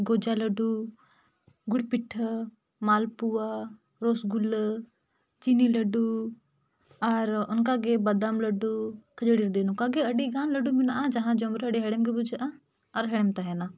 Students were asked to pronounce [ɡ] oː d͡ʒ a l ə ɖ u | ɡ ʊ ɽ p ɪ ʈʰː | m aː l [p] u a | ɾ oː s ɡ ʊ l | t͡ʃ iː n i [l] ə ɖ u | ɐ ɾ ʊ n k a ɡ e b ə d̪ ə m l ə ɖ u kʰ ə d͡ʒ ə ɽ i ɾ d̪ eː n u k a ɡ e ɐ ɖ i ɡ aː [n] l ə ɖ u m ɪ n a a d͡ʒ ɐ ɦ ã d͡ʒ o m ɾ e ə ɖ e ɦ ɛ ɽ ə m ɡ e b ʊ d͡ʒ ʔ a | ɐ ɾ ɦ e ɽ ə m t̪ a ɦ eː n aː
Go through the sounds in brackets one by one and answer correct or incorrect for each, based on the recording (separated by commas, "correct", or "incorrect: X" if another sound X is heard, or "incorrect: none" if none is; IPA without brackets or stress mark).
correct, correct, correct, correct